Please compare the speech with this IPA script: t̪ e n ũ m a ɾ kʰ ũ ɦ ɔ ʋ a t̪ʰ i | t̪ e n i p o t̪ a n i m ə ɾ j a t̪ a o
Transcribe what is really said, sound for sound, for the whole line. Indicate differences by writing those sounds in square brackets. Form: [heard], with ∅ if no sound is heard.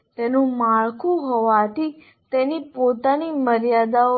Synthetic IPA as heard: t̪ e n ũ m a [ɭ] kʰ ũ ɦ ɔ ʋ a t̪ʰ i | t̪ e n i p o t̪ a n i m ə ɾ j a [d̪] a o